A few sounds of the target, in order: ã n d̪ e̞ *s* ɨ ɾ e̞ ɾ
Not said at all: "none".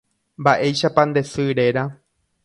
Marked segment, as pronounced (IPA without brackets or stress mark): s